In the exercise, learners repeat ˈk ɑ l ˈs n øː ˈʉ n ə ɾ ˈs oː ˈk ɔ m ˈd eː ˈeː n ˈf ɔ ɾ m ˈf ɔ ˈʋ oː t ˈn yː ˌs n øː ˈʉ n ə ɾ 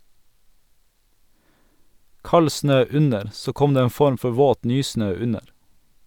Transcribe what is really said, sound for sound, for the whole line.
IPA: ˈk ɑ l ˈs n øː ˈʉ n ə ɾ ˈs oː ˈk ɔ m ˈd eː ˈeː n ˈf ɔ ɾ m ˈf ɔ ˈʋ oː t ˈn yː ˌs n øː ˈʉ n ə ɾ